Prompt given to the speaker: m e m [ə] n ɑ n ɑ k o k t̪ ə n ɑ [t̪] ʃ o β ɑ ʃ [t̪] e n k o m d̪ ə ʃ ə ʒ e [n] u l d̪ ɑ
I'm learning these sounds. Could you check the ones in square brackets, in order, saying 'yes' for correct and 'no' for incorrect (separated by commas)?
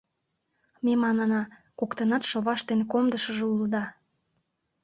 no, yes, yes, no